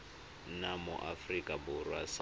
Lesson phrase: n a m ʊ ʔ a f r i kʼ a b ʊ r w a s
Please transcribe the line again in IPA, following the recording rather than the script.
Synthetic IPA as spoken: n a m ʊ ʔ a f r i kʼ a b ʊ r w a s